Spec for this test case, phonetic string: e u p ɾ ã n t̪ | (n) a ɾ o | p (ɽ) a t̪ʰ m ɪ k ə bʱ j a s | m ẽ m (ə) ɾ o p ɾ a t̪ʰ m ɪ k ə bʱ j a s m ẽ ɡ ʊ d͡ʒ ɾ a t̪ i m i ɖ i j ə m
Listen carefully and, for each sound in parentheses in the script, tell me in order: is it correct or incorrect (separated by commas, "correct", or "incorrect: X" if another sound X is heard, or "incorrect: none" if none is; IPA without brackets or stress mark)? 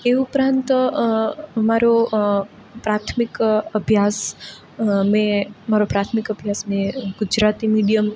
incorrect: m, incorrect: ɾ, incorrect: a